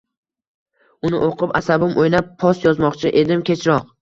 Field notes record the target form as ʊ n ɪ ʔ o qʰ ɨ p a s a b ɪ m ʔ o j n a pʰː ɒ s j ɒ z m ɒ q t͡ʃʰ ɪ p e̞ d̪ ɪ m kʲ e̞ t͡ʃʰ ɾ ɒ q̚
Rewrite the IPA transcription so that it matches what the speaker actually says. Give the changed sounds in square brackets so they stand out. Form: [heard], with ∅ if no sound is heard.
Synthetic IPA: ʊ n ɪ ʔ o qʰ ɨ p a s a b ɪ m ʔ o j n a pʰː ɒ s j ɒ z m ɒ q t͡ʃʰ ɪ [ʔ] e̞ d̪ ɪ m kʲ e̞ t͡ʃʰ ɾ ɒ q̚

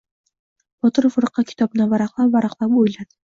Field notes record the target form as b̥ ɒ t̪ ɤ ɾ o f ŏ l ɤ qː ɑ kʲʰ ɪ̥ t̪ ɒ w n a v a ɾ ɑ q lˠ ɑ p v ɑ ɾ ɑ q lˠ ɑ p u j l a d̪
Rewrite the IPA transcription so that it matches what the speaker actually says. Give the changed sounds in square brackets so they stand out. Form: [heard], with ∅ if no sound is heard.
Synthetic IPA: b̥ ɒ t̪ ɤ ɾ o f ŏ [ɾ] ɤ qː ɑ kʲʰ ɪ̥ t̪ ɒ [b] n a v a ɾ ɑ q lˠ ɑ p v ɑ ɾ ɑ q lˠ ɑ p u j l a d̪

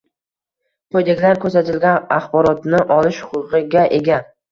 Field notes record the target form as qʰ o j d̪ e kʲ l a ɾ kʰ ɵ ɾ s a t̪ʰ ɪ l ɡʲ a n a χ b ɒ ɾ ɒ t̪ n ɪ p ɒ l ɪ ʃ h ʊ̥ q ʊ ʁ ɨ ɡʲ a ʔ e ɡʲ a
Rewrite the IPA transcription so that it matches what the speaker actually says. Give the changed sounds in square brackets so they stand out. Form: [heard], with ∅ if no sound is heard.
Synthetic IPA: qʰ o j d̪ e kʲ l a ɾ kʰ ɵ ɾ s a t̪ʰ ɪ l ɡʲ a n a χ b ɒ ɾ ɒ t̪ n ɪ [ʔ] ɒ l ɪ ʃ h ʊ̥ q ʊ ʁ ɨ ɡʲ a ʔ e ɡʲ a

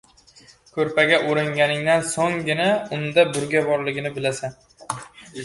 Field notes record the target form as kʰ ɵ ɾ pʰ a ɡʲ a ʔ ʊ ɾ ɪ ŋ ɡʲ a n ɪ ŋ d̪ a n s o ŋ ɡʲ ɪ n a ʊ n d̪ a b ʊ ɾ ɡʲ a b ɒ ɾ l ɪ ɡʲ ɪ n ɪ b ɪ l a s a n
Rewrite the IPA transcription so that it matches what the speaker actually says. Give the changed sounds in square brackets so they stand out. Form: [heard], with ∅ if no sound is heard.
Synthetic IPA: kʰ ɵ ɾ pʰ a ɡʲ a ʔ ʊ ɾ ɪ ŋ ɡʲ a n ɪ ŋ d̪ a n s o ŋ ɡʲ ɪ n a ʊ n d̪ a b ʊ ɾ ɡʲ a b ɒ ɾ l ɪ ɡʲ ɪ n ɪ b ɪ l a s a n

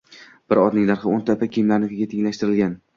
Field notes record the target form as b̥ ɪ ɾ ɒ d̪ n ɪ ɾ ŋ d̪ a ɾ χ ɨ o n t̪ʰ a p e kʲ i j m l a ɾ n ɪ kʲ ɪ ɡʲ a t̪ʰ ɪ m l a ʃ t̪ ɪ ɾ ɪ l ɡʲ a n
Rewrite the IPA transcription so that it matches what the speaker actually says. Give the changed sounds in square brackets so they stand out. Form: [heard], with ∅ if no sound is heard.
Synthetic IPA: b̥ ɪ ɾ ɒ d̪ n ɪ [∅] ŋ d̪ a ɾ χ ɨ o n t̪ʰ a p [a] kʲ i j m l a ɾ n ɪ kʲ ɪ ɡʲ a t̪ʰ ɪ [ŋ] l a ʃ t̪ ɪ ɾ ɪ l ɡʲ a n

